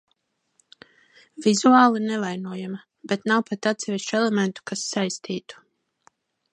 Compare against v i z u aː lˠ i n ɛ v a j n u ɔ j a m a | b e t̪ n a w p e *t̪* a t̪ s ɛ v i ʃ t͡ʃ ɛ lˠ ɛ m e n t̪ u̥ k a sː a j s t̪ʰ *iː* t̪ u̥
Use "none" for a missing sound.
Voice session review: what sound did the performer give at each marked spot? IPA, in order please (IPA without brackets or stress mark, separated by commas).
t̪, iː